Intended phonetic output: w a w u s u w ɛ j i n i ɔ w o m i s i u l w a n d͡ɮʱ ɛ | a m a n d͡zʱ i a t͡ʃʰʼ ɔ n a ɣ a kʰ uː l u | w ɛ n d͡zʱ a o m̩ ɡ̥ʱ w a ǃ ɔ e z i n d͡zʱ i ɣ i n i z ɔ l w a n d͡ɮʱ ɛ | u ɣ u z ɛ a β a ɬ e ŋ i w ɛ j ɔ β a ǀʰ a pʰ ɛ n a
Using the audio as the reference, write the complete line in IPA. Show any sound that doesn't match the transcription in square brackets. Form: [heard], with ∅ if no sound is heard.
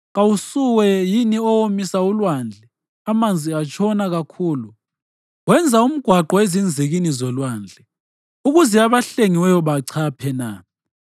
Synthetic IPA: [ɣ] a w u s u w ɛ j i n i ɔ w o m i s [a] u l w a n d͡ɮʱ ɛ | a m a n d͡zʱ i a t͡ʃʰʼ ɔ n a ɣ a kʰ uː l u | w ɛ n d͡zʱ a [u] m̩ ɡ̥ʱ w a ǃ ɔ e z i n d͡zʱ i ɣ i n i z ɔ l w a n d͡ɮʱ ɛ | u ɣ u z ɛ a β a ɬ e ŋ i w ɛ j ɔ β a ǀʰ a pʰ ɛ n a